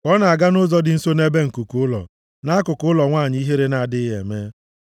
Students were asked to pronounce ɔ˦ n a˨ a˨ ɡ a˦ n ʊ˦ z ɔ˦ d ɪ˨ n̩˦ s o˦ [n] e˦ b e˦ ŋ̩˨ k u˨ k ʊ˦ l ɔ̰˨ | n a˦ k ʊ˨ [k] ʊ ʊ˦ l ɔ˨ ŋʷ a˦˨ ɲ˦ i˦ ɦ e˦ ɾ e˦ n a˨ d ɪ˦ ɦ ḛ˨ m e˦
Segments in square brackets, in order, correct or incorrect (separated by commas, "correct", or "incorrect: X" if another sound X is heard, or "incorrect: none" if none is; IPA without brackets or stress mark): correct, correct